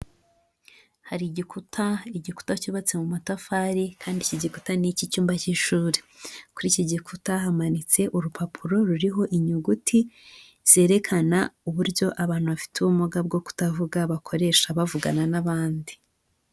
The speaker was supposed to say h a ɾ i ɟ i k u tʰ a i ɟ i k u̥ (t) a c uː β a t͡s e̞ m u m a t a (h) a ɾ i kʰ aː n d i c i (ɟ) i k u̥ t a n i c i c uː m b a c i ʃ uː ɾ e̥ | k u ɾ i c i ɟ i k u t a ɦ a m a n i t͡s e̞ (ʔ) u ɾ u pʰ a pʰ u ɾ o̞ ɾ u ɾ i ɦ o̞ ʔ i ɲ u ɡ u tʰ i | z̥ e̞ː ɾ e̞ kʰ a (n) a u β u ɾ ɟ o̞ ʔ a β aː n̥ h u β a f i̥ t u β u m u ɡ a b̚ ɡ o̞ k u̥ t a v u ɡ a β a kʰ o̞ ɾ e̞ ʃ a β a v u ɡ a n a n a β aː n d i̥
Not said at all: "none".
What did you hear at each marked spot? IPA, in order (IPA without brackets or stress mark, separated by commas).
t, f, ɟ, ʔ, n